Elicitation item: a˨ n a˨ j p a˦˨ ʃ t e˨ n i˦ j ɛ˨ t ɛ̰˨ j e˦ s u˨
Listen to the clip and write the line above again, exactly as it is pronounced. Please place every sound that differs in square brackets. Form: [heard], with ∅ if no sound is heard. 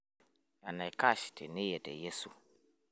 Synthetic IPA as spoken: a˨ n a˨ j [k] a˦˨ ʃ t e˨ n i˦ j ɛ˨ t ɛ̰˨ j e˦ s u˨

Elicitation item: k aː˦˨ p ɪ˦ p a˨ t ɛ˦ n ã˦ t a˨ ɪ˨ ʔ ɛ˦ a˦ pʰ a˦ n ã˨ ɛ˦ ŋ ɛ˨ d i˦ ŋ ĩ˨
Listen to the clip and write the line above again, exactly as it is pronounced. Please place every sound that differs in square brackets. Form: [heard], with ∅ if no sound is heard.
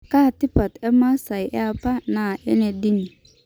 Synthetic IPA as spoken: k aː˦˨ [t] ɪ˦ p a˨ t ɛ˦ [m] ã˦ [s] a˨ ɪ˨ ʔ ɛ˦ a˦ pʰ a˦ n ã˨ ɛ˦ [n] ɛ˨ d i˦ [n] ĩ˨

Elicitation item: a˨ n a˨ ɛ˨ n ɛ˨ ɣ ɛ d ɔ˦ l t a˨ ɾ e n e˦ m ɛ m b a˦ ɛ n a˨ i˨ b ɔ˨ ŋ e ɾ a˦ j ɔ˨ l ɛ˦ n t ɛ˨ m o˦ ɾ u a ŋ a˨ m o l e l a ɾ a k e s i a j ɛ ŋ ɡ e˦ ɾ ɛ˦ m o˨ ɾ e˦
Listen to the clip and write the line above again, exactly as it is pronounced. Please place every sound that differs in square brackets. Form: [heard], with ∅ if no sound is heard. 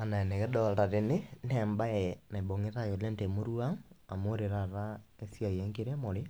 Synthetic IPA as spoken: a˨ n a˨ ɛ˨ n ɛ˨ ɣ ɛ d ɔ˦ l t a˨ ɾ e n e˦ [n] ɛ m b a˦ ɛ n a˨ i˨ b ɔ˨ ŋ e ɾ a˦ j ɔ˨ l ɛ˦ n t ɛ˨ m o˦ ɾ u a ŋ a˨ m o [ɾ] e [ɾ] a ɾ a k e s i a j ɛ ŋ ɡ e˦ ɾ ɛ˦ m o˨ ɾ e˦

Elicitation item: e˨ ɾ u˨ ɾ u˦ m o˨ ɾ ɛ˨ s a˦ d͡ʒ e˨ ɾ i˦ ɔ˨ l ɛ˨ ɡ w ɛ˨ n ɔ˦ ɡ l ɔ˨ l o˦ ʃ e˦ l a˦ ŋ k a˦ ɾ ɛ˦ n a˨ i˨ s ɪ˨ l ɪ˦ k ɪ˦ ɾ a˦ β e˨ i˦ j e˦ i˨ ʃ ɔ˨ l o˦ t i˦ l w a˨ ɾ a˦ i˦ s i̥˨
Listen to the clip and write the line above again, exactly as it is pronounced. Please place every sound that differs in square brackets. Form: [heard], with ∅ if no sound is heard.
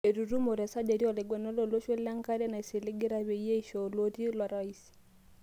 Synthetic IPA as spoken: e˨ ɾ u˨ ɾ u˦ m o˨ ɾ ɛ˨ s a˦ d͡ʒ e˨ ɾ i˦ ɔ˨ l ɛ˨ ɡ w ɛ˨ n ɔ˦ [∅] l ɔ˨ l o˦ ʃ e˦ l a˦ ŋ k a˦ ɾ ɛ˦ n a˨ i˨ s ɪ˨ l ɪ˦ [ɡ] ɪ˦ ɾ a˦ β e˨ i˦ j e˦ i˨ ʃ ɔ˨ l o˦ t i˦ l w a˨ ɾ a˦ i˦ s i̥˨

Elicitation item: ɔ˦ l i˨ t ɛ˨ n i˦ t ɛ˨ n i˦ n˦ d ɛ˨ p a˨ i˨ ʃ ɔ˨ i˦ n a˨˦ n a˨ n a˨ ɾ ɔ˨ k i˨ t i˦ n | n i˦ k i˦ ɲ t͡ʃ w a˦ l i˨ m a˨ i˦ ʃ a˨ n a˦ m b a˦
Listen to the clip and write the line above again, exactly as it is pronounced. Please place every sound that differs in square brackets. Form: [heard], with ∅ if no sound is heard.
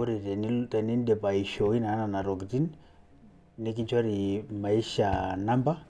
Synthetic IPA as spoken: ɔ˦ [ɾ] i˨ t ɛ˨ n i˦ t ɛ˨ n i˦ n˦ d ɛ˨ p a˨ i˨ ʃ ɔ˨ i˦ n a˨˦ n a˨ n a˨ ɾ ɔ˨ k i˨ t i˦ n | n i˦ k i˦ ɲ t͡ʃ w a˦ [ɾ] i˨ m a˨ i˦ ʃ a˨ n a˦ m b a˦

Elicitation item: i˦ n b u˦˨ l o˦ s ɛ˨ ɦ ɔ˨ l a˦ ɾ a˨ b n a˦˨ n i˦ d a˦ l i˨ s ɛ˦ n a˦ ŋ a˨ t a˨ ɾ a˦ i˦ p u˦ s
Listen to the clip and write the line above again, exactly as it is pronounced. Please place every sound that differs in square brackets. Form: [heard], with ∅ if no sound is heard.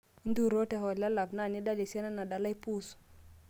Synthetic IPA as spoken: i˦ n [d] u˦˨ [ɾ] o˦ [t] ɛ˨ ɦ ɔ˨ l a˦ [l] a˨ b n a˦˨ n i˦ d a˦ l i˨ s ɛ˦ n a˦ [n] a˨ [d] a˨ [l] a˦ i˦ p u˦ s

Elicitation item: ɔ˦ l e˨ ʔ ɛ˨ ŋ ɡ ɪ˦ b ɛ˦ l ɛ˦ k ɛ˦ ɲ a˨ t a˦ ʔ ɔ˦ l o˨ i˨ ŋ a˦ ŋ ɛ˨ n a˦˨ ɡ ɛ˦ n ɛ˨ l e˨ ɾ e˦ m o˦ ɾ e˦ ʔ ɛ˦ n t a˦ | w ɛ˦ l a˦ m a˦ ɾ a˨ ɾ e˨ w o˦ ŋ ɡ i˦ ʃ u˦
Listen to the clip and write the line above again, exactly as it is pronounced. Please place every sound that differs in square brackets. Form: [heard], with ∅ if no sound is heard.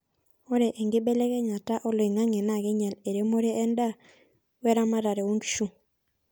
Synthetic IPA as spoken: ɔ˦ [ɾ] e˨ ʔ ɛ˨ ŋ ɡ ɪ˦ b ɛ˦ l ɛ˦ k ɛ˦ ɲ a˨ t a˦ ʔ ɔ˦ l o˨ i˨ ŋ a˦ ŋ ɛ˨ n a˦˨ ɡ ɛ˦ [ɲ] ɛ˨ l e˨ ɾ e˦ m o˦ ɾ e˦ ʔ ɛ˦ n [d] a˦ | w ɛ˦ [ɾ] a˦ m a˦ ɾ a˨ ɾ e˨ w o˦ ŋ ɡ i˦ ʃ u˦

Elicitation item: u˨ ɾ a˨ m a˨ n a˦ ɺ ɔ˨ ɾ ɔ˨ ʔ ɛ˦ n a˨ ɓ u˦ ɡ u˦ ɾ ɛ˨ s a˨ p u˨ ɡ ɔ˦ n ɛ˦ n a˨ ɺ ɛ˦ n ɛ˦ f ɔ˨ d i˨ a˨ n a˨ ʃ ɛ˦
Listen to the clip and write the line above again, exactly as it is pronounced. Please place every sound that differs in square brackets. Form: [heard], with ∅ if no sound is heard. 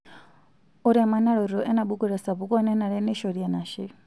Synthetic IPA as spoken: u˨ ɾ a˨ m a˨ n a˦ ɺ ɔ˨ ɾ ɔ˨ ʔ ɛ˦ n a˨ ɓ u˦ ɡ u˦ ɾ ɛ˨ s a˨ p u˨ [k] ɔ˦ n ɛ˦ n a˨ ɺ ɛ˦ n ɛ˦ [ʃ] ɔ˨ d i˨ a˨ n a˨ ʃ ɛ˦

